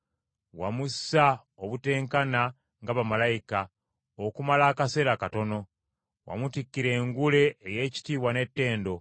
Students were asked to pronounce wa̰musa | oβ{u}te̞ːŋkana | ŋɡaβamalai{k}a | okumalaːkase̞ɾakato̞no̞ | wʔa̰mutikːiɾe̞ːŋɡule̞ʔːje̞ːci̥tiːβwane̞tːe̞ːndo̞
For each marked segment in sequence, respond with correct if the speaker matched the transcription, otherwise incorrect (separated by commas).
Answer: correct, correct